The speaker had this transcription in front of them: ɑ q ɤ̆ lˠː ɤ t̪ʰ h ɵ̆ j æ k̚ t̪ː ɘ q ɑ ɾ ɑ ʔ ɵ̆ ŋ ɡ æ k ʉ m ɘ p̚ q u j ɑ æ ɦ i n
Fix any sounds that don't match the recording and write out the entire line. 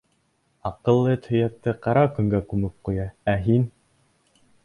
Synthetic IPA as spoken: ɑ q ɤ̆ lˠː ɤ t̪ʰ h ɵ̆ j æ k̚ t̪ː ɘ q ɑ ɾ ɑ k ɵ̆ ŋ ɡ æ k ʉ m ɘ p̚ q u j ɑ æ ɦ i n